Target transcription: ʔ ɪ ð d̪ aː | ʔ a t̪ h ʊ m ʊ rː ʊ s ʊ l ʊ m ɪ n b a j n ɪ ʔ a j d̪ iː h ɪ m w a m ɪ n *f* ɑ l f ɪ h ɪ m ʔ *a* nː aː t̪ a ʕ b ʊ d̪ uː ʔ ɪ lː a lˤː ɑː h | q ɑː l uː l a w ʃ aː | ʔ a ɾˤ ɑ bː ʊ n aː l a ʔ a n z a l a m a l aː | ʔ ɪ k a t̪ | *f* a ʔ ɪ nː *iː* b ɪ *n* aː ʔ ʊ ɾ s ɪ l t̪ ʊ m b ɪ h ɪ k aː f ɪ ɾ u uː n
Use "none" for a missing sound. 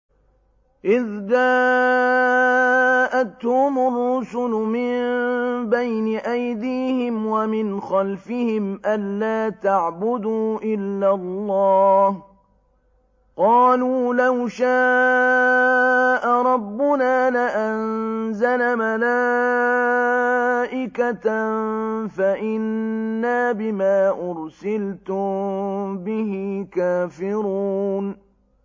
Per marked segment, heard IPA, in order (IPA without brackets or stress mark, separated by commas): x, a, f, aː, m